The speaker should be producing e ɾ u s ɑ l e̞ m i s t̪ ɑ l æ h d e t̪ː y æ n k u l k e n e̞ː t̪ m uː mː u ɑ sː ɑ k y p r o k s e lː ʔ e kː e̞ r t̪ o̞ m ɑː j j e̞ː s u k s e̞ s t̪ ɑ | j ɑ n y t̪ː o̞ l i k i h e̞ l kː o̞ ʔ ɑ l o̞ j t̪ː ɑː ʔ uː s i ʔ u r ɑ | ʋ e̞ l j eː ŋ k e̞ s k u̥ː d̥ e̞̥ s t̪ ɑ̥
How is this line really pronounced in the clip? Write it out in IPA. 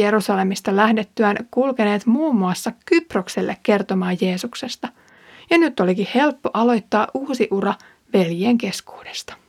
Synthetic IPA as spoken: e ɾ u s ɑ l e̞ m i s t̪ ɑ l æ h d e t̪ː y æ n k u l k e n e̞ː t̪ m uː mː u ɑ sː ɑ k y p r o k s e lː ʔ e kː e̞ r t̪ o̞ m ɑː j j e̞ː s u k s e̞ s t̪ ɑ | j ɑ n y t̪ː o̞ l i k i h e̞ l pː o̞ ʔ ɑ l o̞ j t̪ː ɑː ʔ uː s i ʔ u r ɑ | ʋ e̞ l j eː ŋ k e̞ s k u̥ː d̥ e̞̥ s t̪ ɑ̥